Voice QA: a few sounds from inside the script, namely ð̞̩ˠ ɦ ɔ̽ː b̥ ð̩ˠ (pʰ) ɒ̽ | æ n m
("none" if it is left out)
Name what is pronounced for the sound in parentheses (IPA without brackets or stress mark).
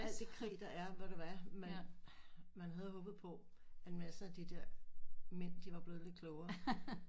pʰ